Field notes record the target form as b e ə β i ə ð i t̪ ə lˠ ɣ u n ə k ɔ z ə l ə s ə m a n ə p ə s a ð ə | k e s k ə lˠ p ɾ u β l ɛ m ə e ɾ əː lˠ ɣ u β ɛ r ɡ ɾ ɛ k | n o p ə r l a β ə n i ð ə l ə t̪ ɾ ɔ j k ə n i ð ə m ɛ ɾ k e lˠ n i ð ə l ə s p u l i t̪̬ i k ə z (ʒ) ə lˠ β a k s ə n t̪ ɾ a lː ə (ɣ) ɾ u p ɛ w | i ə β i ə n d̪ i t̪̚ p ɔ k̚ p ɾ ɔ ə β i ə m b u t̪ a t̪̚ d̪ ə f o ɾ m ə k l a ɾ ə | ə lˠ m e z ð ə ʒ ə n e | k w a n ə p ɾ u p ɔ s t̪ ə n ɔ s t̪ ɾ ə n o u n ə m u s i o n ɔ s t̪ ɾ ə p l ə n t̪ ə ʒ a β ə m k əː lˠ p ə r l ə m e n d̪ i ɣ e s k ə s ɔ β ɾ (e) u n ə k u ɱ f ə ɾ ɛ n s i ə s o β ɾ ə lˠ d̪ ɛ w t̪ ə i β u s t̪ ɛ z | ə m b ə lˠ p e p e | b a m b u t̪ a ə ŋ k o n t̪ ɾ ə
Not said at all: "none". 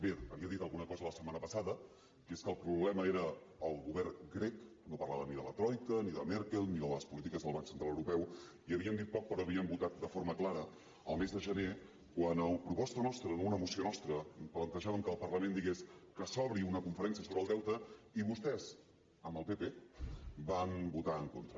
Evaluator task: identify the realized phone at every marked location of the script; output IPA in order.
ð, w, i

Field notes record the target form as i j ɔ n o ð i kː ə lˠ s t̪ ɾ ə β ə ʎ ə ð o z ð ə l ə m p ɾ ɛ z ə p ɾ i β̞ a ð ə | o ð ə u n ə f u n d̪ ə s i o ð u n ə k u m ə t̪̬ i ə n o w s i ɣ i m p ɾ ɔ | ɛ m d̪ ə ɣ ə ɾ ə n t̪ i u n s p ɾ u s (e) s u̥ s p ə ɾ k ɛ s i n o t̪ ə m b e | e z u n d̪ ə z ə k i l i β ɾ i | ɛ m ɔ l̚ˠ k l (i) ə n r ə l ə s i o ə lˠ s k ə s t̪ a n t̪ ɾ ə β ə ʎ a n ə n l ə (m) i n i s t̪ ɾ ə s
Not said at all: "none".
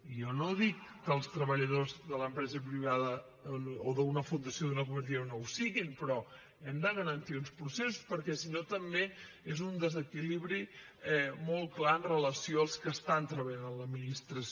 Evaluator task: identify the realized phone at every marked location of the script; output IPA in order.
e, a, m

